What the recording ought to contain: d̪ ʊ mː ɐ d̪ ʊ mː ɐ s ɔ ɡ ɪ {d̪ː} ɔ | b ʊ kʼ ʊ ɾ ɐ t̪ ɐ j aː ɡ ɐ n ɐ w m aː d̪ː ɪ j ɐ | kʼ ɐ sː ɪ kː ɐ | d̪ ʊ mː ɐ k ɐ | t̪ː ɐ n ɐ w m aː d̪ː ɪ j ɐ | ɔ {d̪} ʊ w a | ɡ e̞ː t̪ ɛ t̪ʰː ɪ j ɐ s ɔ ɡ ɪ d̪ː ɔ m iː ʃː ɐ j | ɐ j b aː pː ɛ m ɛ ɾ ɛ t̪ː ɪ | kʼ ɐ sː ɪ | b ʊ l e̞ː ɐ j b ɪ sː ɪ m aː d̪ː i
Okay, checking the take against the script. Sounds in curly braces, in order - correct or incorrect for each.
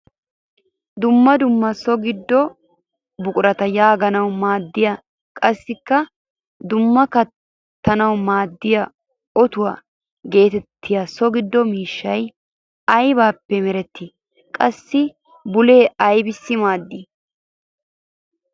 correct, incorrect: t̪

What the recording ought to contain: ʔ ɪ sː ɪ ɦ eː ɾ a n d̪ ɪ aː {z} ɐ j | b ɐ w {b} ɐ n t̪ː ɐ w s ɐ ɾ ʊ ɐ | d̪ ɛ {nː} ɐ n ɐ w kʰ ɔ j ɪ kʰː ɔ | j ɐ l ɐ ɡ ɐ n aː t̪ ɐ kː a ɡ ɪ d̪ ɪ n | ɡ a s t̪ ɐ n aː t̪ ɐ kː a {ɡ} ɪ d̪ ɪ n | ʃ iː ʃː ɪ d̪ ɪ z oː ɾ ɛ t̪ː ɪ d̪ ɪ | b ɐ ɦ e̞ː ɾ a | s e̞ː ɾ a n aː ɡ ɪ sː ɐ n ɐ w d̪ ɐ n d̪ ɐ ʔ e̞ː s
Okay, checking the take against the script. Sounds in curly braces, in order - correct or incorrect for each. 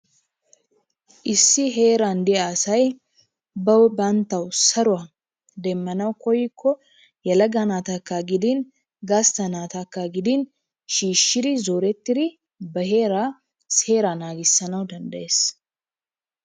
incorrect: s, correct, incorrect: mː, correct

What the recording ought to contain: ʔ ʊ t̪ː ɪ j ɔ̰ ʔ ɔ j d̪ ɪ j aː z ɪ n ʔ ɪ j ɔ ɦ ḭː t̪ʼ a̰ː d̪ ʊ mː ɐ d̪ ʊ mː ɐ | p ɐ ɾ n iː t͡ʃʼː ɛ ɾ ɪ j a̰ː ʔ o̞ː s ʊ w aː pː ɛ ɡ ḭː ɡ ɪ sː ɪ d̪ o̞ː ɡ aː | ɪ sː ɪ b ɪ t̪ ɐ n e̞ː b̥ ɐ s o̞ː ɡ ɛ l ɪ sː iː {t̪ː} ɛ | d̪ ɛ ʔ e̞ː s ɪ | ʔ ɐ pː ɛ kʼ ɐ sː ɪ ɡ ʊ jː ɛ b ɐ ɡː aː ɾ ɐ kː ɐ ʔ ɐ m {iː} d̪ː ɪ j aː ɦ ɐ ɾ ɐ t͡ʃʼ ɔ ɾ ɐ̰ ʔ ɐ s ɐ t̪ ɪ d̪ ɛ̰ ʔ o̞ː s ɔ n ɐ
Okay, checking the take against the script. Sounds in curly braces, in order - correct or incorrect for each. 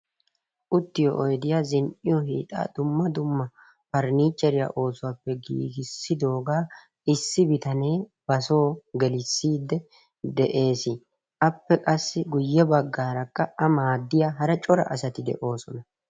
incorrect: d̪ː, incorrect: aː

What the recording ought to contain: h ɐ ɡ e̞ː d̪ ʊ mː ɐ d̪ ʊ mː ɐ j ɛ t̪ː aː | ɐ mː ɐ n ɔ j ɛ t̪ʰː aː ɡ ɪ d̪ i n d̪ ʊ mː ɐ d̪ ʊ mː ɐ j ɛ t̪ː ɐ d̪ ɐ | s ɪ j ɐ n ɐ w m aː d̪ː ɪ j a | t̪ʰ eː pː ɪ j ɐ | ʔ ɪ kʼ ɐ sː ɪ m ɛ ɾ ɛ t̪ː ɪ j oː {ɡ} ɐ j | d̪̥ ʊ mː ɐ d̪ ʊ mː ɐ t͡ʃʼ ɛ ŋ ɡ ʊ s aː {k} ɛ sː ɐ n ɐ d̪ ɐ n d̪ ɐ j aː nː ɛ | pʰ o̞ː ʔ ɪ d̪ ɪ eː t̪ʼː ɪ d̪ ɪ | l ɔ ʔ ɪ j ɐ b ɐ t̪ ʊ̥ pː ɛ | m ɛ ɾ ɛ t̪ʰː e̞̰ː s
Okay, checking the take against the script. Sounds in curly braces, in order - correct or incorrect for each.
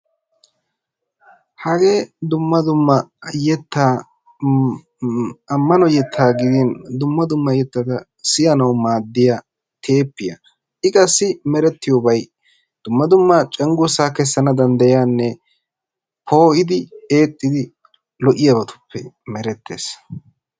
incorrect: b, correct

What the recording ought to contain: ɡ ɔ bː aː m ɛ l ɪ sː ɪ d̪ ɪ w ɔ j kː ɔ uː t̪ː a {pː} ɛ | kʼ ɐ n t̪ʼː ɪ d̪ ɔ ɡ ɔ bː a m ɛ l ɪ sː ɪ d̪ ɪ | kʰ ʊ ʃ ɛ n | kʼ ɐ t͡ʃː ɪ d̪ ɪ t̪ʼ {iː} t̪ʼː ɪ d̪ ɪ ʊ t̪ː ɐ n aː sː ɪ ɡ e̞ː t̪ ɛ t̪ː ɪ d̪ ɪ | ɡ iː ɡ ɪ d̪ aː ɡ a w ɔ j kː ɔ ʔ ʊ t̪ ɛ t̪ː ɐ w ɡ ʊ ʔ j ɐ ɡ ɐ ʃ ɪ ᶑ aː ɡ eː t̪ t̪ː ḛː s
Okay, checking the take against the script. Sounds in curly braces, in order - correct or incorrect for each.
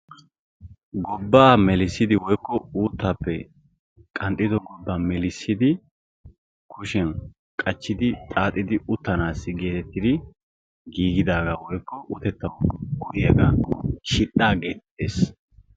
correct, incorrect: aː

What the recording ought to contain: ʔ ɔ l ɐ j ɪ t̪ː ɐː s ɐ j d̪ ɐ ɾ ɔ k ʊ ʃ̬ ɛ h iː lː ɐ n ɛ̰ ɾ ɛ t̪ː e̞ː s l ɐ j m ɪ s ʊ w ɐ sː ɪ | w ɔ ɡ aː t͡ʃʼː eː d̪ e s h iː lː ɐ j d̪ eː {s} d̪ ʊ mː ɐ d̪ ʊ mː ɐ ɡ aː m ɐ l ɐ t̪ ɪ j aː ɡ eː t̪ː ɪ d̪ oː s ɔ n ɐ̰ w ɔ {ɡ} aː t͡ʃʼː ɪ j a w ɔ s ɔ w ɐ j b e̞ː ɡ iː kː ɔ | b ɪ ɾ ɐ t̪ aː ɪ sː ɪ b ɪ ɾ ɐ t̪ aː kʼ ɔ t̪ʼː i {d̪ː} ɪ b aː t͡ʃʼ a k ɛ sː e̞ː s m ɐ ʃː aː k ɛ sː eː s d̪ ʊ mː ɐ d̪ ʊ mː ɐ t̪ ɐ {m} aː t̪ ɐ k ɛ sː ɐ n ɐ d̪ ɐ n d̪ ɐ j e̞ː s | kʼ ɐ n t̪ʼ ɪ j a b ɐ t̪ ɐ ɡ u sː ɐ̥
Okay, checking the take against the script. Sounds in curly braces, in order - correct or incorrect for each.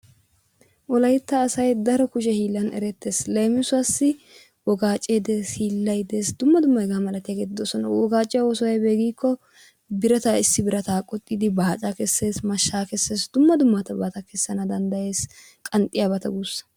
correct, correct, incorrect: d̪, incorrect: b

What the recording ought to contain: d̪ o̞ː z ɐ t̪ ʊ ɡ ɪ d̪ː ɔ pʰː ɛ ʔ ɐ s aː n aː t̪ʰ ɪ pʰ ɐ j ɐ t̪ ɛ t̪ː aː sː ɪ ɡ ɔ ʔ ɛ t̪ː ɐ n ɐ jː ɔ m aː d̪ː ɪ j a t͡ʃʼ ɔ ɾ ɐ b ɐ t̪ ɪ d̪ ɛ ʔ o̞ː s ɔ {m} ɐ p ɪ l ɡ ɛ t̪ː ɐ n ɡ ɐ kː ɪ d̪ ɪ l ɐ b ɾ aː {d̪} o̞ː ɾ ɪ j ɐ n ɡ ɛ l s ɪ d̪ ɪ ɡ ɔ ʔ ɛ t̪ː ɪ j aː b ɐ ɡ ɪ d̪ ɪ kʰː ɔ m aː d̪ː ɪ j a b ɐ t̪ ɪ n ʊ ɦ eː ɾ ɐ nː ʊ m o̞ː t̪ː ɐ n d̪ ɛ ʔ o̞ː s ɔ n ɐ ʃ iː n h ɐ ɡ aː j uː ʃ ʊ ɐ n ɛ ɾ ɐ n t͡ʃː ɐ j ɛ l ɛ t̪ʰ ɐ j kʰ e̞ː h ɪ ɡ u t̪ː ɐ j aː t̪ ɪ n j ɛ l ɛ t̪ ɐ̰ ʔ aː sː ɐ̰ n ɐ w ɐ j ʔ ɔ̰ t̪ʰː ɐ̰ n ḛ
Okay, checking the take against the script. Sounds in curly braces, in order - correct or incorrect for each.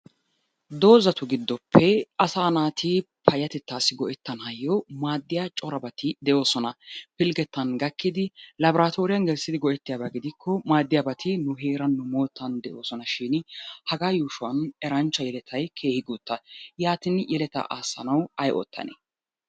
incorrect: n, incorrect: t̪

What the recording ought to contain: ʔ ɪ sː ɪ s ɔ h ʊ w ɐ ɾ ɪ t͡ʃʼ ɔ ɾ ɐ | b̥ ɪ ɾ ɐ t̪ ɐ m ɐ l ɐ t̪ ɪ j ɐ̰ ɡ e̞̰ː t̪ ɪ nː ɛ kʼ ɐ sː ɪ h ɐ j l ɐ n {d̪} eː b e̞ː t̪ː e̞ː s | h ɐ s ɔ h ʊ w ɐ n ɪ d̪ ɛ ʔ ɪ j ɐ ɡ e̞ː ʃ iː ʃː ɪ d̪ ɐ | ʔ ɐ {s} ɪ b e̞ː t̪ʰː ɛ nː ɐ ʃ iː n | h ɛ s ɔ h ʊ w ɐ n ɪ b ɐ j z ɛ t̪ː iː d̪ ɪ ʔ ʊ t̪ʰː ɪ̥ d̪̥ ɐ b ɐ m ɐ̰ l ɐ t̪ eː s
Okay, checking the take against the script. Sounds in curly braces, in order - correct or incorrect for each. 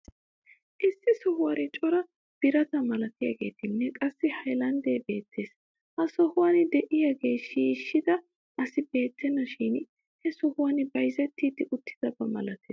correct, correct

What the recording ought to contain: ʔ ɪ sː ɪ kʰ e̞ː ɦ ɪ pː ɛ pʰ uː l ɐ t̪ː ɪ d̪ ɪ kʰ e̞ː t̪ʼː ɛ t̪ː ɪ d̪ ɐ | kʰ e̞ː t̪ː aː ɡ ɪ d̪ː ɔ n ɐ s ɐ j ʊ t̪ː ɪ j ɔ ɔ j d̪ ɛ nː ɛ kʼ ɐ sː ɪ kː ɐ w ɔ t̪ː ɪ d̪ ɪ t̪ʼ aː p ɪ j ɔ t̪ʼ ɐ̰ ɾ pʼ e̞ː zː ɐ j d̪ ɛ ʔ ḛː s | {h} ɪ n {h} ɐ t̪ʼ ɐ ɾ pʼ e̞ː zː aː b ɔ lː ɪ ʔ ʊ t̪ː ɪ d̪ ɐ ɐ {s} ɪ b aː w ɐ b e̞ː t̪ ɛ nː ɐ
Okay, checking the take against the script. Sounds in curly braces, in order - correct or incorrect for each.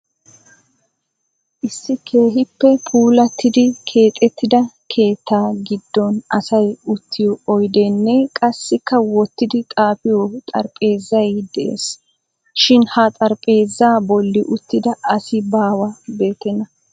incorrect: ʃ, correct, correct

